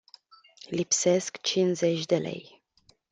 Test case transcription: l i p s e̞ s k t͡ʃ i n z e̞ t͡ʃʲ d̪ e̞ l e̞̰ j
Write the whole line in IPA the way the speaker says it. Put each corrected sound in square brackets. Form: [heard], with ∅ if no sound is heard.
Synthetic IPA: l i p s e̞ s k t͡ʃ i n z e̞ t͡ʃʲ d̪ e̞ l e̞̰ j